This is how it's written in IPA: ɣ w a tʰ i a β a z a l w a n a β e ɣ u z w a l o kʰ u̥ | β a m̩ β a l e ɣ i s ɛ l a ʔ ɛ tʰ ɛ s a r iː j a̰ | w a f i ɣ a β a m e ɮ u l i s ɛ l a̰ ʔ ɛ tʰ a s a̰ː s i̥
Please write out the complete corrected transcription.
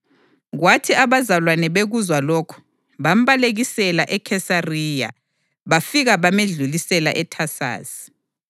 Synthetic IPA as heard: ɣ w a tʰ i a β a z a l w a n ɛ β e ɣ u z w a l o kʰ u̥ | β a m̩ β a l e ɣ i s ɛ l a ʔ ɛ kʰ ɛ s a r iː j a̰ | β a f i ɣ a β a m e ɮ u l i s ɛ l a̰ ʔ ɛ tʰ a s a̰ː s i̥